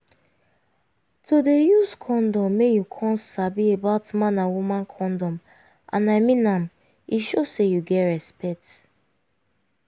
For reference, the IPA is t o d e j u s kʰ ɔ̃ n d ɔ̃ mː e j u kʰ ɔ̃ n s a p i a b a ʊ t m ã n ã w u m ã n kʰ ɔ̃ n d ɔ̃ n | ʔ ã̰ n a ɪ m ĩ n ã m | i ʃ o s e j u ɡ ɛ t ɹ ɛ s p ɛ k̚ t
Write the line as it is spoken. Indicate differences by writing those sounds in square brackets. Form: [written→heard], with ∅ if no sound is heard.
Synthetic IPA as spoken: t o d e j u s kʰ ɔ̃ n d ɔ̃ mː e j u kʰ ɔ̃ n s a [p→b] i [a→e] b a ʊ t m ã n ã w u m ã n kʰ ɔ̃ n d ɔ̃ [n→m] | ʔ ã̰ n a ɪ m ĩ n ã m | i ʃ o s e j u ɡ ɛ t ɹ ɛ s p ɛ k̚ t